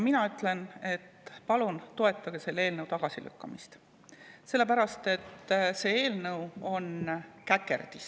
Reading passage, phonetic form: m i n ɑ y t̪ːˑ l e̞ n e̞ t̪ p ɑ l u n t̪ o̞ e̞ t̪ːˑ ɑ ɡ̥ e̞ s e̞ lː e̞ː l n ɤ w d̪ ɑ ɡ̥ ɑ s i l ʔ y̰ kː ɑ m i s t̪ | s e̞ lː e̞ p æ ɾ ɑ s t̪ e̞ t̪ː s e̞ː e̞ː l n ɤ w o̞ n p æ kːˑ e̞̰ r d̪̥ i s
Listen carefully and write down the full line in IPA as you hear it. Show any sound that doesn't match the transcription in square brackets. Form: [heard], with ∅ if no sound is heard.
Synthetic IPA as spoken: m i n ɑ y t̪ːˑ l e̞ n e̞ t̪ p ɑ l u n t̪ o̞ e̞ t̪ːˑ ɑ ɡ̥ e̞ s e̞ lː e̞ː l n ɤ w [t̪] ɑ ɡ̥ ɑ s i l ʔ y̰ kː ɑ m i s t̪ | s e̞ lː e̞ p æ ɾ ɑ s t̪ e̞ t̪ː s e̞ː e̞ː l n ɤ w o̞ n [k] æ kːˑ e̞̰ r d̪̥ i s